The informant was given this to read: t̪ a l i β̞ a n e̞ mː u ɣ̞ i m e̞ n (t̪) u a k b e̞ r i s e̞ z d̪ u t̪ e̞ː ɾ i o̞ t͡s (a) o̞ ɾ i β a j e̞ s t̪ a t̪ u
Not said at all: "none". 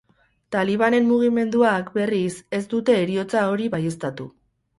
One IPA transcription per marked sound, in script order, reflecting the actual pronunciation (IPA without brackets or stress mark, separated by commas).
d̪, a